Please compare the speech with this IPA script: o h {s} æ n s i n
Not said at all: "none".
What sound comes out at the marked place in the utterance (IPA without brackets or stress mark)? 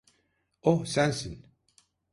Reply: s